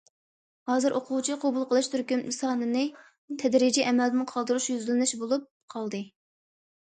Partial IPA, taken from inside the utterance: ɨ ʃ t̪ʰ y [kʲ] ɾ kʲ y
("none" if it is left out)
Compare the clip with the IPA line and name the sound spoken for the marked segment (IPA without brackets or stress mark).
none